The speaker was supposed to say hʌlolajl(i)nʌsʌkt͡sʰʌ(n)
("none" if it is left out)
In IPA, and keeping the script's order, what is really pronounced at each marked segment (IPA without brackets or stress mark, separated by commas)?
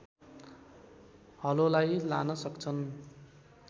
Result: a, n